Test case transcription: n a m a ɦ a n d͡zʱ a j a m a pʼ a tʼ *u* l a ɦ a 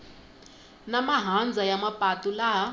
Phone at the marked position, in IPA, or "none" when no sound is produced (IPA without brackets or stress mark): u